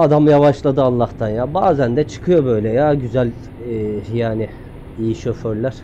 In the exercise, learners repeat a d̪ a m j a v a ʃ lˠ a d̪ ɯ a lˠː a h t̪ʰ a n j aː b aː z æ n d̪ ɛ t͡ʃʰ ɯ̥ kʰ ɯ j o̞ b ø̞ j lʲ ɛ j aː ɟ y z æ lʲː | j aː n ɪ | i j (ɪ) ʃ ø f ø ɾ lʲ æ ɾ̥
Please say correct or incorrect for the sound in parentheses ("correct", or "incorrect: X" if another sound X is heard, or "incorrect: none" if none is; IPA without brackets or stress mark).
incorrect: i